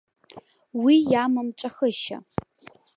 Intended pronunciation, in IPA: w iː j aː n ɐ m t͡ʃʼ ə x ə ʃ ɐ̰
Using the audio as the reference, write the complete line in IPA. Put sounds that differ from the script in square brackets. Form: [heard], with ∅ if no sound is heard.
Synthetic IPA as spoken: w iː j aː [m] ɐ m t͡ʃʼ [ɐ] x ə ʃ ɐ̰